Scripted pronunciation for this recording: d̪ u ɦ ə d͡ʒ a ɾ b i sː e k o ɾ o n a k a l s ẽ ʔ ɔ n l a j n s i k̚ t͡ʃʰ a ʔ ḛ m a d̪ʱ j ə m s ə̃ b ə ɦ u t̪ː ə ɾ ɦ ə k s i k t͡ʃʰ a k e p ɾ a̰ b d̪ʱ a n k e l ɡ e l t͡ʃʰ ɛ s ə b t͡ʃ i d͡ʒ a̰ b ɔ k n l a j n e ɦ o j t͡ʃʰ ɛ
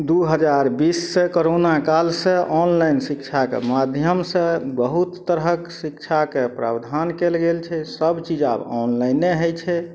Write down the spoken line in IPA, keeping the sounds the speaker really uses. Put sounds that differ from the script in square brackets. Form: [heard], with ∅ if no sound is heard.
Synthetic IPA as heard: d̪ u ɦ ə d͡ʒ a ɾ b i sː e k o ɾ o n a k a l s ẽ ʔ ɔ n l a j n s i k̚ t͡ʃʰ a [k] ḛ m a d̪ʱ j ə m s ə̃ b ə ɦ u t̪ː ə ɾ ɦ ə k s i k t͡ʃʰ a k e p ɾ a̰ b d̪ʱ a n k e l ɡ e l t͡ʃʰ ɛ s ə b t͡ʃ i d͡ʒ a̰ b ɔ [∅] n l a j n e ɦ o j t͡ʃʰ ɛ